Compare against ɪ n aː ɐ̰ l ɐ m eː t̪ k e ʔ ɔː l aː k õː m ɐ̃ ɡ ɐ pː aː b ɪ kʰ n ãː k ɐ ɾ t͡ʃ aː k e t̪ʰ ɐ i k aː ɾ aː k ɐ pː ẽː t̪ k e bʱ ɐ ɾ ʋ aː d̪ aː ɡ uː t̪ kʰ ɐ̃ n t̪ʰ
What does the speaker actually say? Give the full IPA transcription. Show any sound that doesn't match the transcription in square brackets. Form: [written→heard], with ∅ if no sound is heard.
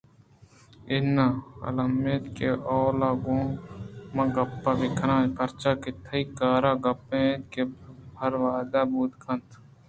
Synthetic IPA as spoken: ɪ n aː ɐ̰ l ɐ m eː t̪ k e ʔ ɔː l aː [k→ɡ] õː m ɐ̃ ɡ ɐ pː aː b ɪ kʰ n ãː k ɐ ɾ t͡ʃ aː k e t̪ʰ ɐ i k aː ɾ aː [k→ɡ] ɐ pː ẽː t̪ k e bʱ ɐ ɾ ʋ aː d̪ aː [ɡ→b] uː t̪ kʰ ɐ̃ n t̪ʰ